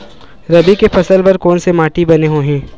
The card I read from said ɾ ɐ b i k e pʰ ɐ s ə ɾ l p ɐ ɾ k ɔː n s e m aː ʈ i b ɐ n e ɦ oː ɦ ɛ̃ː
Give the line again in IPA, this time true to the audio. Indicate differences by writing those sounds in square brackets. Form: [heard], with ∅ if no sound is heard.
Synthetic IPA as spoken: ɾ ɐ b i k e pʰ ɐ s ə [∅] l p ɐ ɾ k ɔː n s e m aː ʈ i b ɐ n e ɦ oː ɦ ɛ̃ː

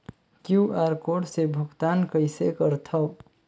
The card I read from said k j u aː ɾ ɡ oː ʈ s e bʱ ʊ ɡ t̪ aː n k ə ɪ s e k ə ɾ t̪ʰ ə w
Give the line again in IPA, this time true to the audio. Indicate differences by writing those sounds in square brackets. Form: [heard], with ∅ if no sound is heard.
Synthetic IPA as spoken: k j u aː ɾ [k] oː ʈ s e bʱ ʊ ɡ t̪ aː n k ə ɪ s e k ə ɾ t̪ʰ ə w

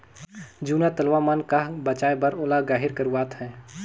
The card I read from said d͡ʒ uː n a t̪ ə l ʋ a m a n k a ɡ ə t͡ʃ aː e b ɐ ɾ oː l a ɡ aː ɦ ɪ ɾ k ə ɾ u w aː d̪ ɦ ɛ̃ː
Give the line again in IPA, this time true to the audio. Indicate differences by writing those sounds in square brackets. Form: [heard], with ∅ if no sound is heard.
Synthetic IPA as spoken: d͡ʒ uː n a t̪ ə l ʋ a m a n k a [b] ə t͡ʃ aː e b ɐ ɾ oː l a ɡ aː ɦ ɪ ɾ k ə ɾ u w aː [t̪] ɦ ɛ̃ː

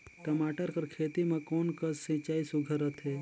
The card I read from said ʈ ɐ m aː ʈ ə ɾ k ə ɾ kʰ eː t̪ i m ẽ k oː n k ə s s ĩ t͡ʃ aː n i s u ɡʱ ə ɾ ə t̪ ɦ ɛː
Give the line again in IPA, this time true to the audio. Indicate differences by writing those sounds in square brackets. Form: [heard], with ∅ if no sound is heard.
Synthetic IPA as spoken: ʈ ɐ m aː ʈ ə ɾ k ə ɾ kʰ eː t̪ i m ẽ k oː n k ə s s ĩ t͡ʃ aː [∅] i s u ɡʱ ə ɾ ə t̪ ɦ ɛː

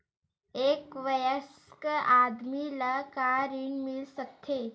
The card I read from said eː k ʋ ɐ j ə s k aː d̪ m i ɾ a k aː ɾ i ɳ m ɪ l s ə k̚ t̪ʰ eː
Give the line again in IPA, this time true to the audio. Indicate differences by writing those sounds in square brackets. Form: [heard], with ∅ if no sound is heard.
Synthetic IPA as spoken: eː k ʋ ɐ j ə s k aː d̪ m i [l] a k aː ɾ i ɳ m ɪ l s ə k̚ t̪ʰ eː

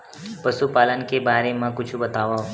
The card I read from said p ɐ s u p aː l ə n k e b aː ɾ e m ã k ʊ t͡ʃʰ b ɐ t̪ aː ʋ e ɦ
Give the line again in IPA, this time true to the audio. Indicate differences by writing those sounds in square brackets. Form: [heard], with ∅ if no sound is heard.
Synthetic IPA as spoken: p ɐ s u p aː l ə n k e b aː ɾ e m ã k ʊ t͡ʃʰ b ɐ t̪ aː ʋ [a] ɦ

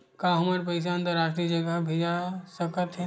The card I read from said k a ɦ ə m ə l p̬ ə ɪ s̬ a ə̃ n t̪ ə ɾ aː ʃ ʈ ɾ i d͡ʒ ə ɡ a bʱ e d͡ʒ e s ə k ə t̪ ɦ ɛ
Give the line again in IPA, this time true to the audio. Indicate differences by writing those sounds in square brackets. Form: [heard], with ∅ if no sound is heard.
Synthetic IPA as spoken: k a ɦ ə m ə [ɾ] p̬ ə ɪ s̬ a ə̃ n t̪ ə ɾ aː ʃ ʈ ɾ i d͡ʒ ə ɡ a bʱ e d͡ʒ [a] s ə k ə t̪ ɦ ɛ

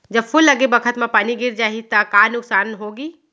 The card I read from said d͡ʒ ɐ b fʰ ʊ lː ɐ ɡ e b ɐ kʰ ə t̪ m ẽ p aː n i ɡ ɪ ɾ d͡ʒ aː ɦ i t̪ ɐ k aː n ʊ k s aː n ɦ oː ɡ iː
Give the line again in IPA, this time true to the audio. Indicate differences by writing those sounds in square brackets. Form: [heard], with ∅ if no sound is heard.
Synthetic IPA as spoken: d͡ʒ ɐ b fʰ ʊ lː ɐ ɡ e b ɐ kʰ ə t̪ m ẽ p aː n i ɡ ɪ ɾ d͡ʒ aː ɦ i t̪ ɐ k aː n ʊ k s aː n ɦ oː ɡ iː

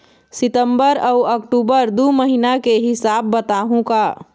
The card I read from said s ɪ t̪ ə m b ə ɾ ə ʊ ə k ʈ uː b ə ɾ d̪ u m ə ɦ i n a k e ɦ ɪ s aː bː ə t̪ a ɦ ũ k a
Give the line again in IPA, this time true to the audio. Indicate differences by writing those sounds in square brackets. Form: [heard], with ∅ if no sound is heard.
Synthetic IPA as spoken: s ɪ t̪ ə m b ə ɾ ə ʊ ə k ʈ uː b ə ɾ d̪ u m ə ɦ i n a k e ɦ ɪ s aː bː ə t̪ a ɦ ũ k a

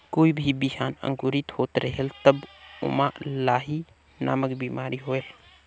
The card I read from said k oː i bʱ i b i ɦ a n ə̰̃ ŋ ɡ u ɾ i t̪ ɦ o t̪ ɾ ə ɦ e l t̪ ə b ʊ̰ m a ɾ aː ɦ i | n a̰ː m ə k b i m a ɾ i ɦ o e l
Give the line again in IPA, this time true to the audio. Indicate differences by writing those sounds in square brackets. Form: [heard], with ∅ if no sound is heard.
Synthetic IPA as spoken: k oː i bʱ i b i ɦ a n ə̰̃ ŋ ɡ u ɾ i t̪ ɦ o t̪ ɾ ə ɦ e l t̪ ə b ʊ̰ m a [l] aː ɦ i | n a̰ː m ə k b i m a ɾ i ɦ o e l

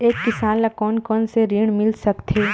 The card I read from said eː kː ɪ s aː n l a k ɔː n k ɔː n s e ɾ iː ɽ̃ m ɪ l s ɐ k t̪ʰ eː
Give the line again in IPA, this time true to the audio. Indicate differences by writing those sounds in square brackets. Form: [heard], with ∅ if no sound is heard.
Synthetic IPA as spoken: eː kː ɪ s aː n l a k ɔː n k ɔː n s e ɾ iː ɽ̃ m ɪ l s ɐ k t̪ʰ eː

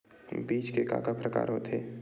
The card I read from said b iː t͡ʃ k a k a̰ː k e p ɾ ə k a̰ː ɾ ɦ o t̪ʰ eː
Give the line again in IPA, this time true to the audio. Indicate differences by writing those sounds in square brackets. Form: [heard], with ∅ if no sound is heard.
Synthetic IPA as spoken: b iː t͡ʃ k [e] k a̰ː k [a] p ɾ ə k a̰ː ɾ ɦ o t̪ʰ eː

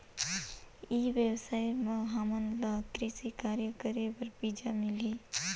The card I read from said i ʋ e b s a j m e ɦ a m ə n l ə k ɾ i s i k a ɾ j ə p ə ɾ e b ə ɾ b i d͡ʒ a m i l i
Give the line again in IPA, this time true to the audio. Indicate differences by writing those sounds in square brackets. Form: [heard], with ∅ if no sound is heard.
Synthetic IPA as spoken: i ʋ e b s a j m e ɦ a m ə n l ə k ɾ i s i k a ɾ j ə [k] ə ɾ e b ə ɾ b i d͡ʒ a m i l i

